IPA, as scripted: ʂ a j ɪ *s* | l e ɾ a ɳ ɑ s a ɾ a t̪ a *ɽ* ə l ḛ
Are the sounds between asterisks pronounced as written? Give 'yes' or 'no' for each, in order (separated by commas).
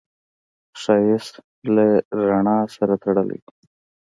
yes, yes